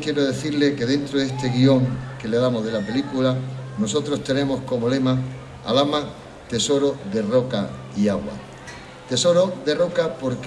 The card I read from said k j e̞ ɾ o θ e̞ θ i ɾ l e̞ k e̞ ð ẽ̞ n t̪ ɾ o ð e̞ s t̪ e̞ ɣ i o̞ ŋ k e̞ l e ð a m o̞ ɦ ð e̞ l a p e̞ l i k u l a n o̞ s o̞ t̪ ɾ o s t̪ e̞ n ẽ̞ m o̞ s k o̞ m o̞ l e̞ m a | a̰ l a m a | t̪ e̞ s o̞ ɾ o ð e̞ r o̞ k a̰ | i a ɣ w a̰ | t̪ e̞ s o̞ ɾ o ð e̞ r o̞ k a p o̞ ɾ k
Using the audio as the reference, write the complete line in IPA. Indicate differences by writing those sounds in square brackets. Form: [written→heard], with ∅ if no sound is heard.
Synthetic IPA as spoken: k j e̞ ɾ o [θ→ð] e̞ θ i ɾ l e̞ k e̞ ð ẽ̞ n t̪ ɾ o ð e̞ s t̪ e̞ ɣ i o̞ ŋ k e̞ l e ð a m o̞ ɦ ð e̞ l a p e̞ l i k u l a n o̞ s o̞ t̪ ɾ o s t̪ e̞ n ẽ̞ m o̞ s k o̞ m o̞ l e̞ m a | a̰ l a m a | t̪ e̞ s o̞ ɾ o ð e̞ r o̞ k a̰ | i a ɣ w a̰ | t̪ e̞ s o̞ ɾ o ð e̞ r o̞ k a p o̞ ɾ k